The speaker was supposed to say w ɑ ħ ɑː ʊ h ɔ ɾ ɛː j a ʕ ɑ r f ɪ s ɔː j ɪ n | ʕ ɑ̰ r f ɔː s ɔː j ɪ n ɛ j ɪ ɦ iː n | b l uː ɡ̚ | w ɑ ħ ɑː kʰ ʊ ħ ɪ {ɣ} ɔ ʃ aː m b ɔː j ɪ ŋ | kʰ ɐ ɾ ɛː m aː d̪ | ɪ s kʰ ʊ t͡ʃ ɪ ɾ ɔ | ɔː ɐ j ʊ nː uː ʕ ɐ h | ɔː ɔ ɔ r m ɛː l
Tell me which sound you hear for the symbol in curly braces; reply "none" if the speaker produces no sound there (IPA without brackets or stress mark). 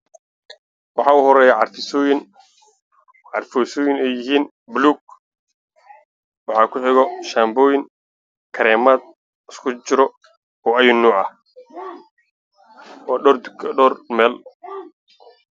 ɣ